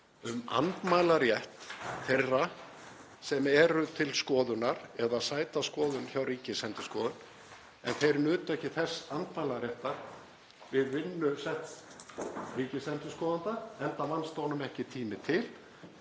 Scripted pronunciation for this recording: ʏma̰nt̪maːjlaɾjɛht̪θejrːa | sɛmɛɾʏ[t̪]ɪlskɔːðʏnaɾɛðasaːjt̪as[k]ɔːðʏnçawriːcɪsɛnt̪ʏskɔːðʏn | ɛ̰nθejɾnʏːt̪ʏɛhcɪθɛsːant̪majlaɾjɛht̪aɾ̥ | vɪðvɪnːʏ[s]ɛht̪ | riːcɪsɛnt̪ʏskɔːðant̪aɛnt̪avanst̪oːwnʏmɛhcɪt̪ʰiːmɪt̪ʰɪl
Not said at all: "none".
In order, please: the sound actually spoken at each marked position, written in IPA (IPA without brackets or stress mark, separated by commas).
t̪ʰ, k, s